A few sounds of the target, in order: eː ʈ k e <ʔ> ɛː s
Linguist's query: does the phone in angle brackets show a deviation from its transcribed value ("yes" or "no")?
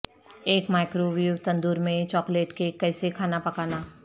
yes